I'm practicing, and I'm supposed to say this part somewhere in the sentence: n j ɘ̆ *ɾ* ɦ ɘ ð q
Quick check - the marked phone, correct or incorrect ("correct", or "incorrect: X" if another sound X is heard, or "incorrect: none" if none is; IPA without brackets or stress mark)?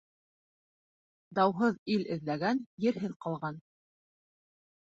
correct